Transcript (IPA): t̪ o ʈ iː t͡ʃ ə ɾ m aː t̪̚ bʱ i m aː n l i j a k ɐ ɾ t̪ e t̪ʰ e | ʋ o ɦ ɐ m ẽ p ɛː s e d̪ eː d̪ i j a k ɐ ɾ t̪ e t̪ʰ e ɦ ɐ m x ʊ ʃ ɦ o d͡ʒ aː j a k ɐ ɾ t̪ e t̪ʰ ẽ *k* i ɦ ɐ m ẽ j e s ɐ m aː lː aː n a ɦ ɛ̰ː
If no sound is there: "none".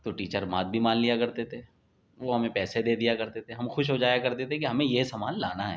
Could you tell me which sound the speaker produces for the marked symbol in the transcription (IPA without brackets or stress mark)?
k